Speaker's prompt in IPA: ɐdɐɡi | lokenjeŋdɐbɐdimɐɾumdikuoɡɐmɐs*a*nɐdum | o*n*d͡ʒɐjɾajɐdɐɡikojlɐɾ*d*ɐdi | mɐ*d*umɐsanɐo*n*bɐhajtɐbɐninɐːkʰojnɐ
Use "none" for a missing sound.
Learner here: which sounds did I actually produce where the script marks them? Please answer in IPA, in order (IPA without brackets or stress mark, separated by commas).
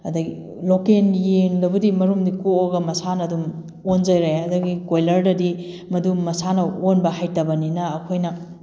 a, n, d, d, n